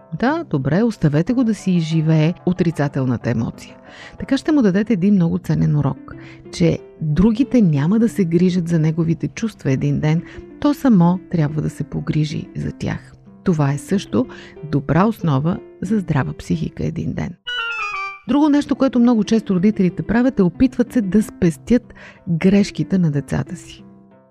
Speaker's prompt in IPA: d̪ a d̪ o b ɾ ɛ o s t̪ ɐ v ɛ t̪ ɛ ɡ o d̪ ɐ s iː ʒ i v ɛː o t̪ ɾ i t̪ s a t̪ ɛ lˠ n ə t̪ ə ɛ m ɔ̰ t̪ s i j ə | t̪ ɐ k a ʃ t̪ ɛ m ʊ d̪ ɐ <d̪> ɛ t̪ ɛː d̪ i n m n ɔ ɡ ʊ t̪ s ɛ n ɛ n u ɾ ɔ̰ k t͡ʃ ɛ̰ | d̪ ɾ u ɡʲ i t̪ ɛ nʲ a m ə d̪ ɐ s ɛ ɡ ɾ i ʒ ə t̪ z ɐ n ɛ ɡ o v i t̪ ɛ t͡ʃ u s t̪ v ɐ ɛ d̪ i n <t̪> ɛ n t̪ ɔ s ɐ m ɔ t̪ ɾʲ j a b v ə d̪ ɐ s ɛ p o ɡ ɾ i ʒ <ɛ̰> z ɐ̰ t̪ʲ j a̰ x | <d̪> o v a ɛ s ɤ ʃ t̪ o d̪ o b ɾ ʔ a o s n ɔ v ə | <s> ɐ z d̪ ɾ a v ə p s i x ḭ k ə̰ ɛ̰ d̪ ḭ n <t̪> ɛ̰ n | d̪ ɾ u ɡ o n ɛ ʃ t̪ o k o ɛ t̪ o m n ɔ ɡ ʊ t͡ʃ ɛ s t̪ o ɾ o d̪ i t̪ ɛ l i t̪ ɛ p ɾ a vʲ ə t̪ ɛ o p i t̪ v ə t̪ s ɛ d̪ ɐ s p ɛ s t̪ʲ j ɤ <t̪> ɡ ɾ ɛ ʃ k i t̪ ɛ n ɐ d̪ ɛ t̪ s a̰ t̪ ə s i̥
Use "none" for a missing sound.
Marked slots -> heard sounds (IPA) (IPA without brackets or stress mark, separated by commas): d̪, d̪, ḭ, t̪, z, d̪, t̪